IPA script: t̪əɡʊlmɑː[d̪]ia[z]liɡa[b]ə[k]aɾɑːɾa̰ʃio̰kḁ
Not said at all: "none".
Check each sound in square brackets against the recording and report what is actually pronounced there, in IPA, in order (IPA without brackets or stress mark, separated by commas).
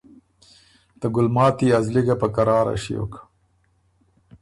t̪, z, p, k